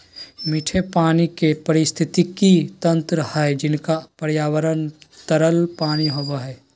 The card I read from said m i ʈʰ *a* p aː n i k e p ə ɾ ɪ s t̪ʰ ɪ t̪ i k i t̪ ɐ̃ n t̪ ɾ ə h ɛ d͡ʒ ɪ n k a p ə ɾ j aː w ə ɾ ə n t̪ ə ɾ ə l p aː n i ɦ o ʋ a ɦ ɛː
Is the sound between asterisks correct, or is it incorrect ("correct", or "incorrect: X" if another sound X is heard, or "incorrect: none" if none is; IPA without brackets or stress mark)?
incorrect: e